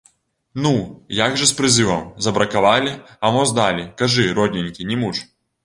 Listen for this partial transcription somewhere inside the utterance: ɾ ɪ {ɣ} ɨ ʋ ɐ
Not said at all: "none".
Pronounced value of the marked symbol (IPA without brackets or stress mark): z